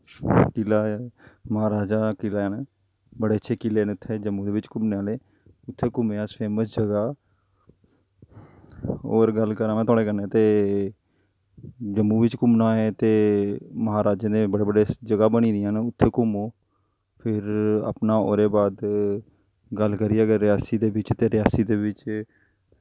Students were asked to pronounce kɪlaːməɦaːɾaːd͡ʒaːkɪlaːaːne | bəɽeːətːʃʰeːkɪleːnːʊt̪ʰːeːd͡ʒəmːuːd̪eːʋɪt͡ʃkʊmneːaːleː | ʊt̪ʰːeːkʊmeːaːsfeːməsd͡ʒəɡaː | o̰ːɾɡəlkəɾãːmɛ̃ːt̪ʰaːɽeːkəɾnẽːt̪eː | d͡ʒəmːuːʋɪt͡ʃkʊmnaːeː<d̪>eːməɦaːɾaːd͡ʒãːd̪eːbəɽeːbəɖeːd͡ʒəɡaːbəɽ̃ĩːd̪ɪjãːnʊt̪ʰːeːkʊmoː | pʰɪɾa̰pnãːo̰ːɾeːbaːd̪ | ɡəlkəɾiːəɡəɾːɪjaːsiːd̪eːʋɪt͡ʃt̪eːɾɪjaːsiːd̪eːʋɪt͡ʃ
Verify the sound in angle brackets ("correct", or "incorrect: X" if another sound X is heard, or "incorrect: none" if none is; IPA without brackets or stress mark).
incorrect: t̪